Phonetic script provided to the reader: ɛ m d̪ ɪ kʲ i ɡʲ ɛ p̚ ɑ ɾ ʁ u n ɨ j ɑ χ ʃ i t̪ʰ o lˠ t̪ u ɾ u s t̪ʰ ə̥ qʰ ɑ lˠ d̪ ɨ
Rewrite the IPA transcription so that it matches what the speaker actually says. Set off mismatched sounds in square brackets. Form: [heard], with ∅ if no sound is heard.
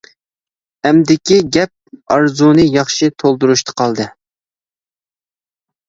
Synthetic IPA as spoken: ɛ m d̪ ɪ kʲ i ɡʲ ɛ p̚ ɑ ɾ [z] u n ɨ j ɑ χ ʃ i t̪ʰ o lˠ [d̪] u ɾ u [ʃ] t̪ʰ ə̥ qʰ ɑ lˠ d̪ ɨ